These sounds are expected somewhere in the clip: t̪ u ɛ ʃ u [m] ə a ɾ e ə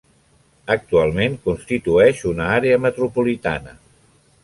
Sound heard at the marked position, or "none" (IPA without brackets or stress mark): n